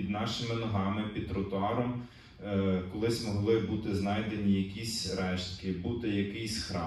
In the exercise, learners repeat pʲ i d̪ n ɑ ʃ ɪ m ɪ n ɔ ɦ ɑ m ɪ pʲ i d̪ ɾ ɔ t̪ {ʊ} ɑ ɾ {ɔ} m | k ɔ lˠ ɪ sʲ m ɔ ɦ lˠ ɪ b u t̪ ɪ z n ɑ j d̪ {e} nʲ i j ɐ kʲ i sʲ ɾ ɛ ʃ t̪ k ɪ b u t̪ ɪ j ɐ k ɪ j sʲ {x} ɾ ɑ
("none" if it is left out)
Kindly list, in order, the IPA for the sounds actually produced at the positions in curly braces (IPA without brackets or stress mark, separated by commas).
ʊ, ɔ, e, x